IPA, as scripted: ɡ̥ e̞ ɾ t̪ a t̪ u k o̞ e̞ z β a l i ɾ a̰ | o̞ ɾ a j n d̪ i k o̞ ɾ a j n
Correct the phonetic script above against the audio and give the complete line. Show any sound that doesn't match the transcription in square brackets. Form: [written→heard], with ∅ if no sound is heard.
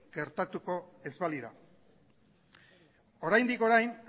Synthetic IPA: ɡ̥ e̞ ɾ t̪ a t̪ u k o̞ e̞ z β a l i ɾ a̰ | o̞ ɾ a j n d̪ i k o̞ ɾ a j n

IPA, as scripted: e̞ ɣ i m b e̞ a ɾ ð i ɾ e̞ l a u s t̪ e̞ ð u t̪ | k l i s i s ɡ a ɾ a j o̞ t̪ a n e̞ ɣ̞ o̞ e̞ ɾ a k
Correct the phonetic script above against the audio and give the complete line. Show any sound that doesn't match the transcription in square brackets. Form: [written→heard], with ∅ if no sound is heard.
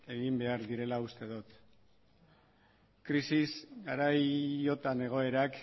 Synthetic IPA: e̞ ɣ i m b e̞ a ɾ ð i ɾ e̞ l a u s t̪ e̞ ð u t̪ | k [l→ɾ] i s i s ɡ a ɾ a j o̞ t̪ a n e̞ ɣ̞ o̞ e̞ ɾ a k

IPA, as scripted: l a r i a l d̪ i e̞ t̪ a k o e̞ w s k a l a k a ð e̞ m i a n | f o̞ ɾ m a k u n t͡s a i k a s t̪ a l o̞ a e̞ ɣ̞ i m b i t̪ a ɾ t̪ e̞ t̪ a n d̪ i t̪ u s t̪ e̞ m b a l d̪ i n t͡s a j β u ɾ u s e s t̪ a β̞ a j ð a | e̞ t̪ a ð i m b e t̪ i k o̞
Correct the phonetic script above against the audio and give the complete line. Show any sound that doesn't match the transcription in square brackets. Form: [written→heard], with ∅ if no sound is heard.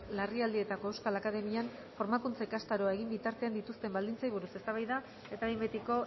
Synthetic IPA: l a r i a l d̪ i e̞ t̪ a k o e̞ w s k a l a k a ð e̞ m i a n | f o̞ ɾ m a k u n t͡s a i k a s t̪ a [l→ɾ] o̞ a e̞ ɣ̞ i m b i t̪ a ɾ t̪ e̞ [t̪→∅] a n d̪ i t̪ u s t̪ e̞ m b a l d̪ i n t͡s a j β u ɾ u s e s t̪ a β̞ a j ð a | e̞ t̪ a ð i m b e t̪ i k o̞

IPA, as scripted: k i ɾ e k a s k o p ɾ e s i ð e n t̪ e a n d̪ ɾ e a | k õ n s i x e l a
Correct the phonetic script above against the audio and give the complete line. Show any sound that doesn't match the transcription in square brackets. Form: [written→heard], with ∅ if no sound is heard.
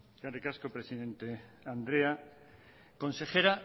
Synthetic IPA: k [i→a] ɾ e k a s k o p ɾ e s i ð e n t̪ e a n d̪ ɾ e a | k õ n s [i→e] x e [l→ɾ] a

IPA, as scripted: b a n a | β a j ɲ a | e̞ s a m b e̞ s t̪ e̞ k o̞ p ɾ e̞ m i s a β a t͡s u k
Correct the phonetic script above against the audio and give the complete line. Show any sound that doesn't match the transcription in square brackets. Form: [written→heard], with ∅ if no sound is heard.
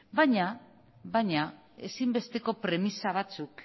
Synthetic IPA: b a [n→ɲ] a | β a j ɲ a | e̞ s [a→i] m b e̞ s t̪ e̞ k o̞ p ɾ e̞ m i s a β a t͡s u k

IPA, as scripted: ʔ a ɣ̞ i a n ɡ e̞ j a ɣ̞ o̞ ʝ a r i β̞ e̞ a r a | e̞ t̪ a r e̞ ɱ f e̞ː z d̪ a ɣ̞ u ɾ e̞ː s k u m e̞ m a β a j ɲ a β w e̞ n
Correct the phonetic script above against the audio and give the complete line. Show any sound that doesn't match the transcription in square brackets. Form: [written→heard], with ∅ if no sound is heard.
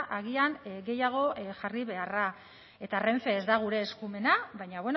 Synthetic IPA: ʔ a ɣ̞ i a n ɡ e̞ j a ɣ̞ o̞ ʝ a r i β̞ e̞ a r a | e̞ t̪ a r e̞ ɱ f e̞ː z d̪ a ɣ̞ u ɾ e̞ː s k u m e̞ [m→n] a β a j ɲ a β w e̞ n

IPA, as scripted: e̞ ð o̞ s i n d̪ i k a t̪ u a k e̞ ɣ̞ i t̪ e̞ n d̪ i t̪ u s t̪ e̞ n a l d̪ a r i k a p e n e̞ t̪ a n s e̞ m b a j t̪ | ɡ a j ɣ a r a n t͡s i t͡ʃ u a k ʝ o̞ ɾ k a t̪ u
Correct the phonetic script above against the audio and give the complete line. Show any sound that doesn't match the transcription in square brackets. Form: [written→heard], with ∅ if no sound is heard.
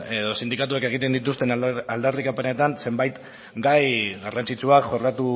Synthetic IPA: e̞ ð o̞ s i n d̪ i k a t̪ u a k e̞ ɣ̞ i t̪ e̞ n d̪ i t̪ u s t̪ e̞ n a l d̪ a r i k a p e n e̞ t̪ a n s e̞ m b a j t̪ | ɡ a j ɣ a r a n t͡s i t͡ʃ u a k ʝ o̞ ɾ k a t̪ u

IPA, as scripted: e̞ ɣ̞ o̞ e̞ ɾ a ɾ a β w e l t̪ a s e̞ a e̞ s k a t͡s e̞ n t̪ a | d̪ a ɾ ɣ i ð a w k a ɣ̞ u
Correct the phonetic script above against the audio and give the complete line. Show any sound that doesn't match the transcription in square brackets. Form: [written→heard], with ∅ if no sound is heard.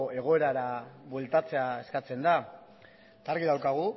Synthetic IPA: e̞ ɣ̞ o̞ e̞ ɾ a ɾ a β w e l t̪ a [s→t͡s] e̞ a e̞ s k a t͡s e̞ n [t̪→d̪] a | [d̪→t̪] a ɾ ɣ i ð a w k a ɣ̞ u

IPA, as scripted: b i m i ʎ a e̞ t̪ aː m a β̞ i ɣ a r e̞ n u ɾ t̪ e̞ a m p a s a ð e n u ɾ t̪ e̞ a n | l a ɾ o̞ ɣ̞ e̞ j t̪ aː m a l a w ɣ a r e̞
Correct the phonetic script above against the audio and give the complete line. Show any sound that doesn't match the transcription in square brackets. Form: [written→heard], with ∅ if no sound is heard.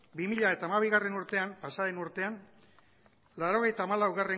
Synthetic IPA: b i m i ʎ a e̞ t̪ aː m a β̞ i ɣ a r e̞ n u ɾ t̪ e̞ a m p a s a ð e n u ɾ t̪ e̞ a n | l a ɾ o̞ ɣ̞ e̞ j t̪ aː m a l a w ɣ a r e̞

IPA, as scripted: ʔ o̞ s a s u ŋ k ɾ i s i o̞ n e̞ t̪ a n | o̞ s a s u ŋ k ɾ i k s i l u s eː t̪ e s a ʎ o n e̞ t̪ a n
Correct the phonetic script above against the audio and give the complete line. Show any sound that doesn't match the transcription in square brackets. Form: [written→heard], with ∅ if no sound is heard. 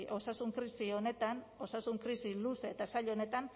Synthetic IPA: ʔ o̞ s a s u ŋ k ɾ i s i o̞ n e̞ t̪ a n | o̞ s a s u ŋ k ɾ i [k→∅] s i l u s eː t̪ [e→a] s a ʎ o n e̞ t̪ a n

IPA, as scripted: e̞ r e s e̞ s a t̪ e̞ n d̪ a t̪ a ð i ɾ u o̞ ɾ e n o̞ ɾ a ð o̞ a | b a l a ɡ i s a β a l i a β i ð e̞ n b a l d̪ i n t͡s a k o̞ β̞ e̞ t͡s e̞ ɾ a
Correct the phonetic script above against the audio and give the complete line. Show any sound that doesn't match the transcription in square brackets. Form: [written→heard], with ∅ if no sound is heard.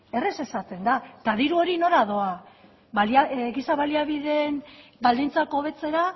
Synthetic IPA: e̞ r e s e̞ s a t̪ e̞ n d̪ a t̪ a ð i ɾ u o̞ ɾ [e→i] n o̞ ɾ a ð o̞ a | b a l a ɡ i s a β a l i a β i ð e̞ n b a l d̪ i n t͡s a k o̞ β̞ e̞ t͡s e̞ ɾ a

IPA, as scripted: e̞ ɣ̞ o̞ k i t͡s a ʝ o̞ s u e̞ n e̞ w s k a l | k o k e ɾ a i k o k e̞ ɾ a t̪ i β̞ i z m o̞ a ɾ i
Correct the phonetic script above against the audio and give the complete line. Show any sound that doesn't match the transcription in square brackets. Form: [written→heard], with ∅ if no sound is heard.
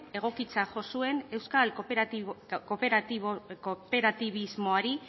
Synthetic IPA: e̞ ɣ̞ o̞ k i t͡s a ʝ o̞ s u e̞ n e̞ w s k a l | k o [k→p] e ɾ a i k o [k→p] e̞ ɾ a t̪ i β̞ i z m o̞ a ɾ i

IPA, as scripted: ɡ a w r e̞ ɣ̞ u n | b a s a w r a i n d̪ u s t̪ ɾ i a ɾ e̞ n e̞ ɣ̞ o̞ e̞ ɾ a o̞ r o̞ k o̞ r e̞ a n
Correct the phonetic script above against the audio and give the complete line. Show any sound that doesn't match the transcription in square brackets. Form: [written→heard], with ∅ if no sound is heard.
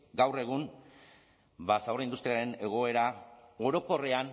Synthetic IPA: ɡ a w r e̞ ɣ̞ u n | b a s a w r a i n d̪ u s t̪ ɾ i a ɾ e̞ n e̞ ɣ̞ o̞ e̞ ɾ a o̞ [r→ɾ] o̞ k o̞ r e̞ a n

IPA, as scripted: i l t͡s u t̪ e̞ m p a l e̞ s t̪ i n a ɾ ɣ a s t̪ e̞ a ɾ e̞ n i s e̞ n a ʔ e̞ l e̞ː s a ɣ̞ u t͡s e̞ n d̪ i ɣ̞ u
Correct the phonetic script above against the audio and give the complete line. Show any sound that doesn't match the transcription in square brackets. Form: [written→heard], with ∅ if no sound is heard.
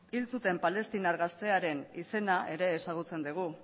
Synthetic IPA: i l t͡s u t̪ e̞ m p a l e̞ s t̪ i n a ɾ ɣ a s t̪ e̞ a ɾ e̞ n i s e̞ n a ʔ e̞ [l→ɾ] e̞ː s a ɣ̞ u t͡s e̞ n d̪ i ɣ̞ u

